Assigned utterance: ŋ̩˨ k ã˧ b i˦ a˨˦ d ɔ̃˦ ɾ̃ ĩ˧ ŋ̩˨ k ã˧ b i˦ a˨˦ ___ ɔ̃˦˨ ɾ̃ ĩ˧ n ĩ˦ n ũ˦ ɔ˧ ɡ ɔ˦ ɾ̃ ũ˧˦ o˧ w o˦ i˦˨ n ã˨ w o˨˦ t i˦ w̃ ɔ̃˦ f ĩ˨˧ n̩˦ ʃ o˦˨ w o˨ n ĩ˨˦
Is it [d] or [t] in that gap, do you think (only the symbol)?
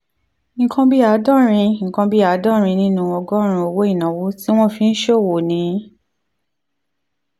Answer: d